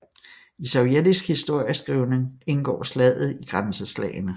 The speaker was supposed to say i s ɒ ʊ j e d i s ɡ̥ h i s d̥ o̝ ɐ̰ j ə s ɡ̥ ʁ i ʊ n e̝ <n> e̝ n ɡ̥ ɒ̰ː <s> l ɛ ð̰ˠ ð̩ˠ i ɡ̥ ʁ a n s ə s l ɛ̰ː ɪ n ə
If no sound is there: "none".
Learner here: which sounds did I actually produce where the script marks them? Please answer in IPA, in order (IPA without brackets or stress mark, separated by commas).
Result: ŋ, s